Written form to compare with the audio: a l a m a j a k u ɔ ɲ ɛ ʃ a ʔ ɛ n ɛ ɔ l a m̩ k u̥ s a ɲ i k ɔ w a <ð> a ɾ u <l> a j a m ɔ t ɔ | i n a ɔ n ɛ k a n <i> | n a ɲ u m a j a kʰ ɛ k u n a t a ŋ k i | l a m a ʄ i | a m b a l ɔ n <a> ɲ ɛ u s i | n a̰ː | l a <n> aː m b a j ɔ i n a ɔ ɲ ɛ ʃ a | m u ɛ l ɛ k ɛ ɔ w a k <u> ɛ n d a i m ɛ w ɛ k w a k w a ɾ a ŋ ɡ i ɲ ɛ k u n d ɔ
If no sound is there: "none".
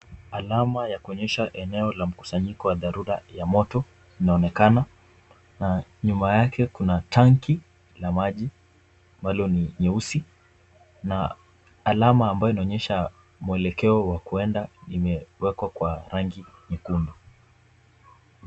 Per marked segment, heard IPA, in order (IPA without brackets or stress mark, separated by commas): ð, ɾ, a, i, m, u